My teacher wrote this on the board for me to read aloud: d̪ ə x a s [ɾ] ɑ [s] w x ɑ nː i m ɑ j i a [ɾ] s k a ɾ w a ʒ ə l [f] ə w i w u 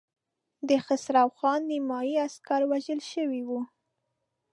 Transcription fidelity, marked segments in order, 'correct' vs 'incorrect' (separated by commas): correct, incorrect, incorrect, incorrect